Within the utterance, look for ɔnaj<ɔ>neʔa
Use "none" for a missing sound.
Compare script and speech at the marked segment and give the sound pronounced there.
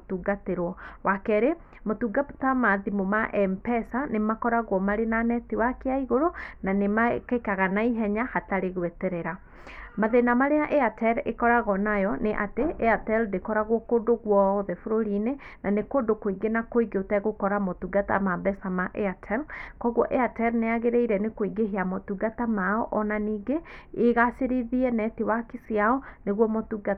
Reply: ɔ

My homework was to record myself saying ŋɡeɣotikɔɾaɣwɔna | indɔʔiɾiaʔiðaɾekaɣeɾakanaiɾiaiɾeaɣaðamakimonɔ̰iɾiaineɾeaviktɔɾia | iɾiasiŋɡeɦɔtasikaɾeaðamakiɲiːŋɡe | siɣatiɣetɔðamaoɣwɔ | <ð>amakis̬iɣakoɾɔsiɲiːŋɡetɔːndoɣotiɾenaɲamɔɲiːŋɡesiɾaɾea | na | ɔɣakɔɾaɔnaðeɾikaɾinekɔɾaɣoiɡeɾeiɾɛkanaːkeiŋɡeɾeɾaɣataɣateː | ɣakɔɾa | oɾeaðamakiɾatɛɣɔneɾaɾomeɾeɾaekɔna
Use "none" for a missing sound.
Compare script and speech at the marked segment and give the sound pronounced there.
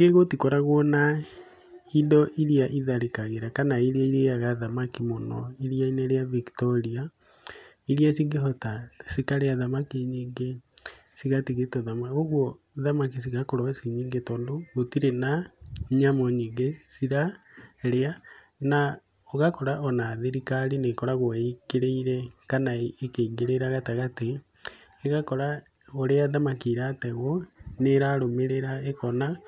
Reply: ð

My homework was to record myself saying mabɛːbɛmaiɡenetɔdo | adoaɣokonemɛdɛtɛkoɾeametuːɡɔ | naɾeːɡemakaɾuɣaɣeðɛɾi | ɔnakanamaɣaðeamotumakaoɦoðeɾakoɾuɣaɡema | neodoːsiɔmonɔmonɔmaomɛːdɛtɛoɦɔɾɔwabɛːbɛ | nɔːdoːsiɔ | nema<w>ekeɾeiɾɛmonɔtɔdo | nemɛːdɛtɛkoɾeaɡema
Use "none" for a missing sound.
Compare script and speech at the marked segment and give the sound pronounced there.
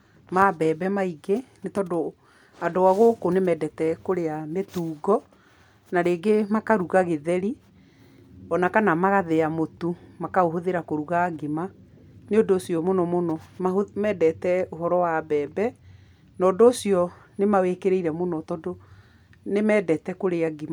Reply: w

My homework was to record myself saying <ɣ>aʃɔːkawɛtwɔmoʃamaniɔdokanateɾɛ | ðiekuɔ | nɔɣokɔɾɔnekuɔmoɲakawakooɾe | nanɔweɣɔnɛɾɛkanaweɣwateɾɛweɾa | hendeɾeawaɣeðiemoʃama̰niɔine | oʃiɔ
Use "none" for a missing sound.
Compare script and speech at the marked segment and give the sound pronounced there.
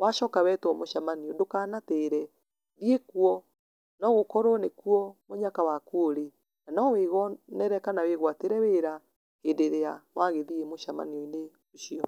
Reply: w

